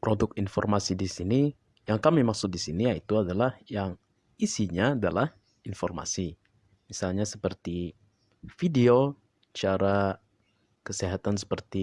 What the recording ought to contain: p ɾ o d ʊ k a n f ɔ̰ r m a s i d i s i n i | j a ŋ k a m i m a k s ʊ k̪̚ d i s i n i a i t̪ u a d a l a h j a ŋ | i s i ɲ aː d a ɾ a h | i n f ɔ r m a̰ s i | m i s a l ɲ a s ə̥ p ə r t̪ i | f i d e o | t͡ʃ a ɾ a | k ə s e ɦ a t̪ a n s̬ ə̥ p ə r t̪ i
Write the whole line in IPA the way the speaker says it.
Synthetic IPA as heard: p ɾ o d ʊ k i n f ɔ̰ r m a s i d i s i n i | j a ŋ k a m i m a k s ʊ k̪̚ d i s i n i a i t̪ u a d a l a h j a ŋ | i s i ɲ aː d a l a h | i n f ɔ r m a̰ s i | m i s a l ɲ a s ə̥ p ə r t̪ i | f i d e o | t͡ʃ a ɾ a | k ə s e ɦ a t̪ a n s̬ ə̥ p ə r t̪ i